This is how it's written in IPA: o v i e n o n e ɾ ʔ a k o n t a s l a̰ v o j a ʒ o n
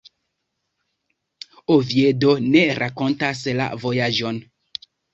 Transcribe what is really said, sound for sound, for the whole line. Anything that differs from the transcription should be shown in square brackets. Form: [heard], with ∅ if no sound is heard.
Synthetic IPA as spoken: o v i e [d] o n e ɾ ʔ a k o n t a s l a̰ v o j a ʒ o n